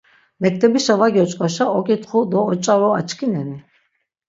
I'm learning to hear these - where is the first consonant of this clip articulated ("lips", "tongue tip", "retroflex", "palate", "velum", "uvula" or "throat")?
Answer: lips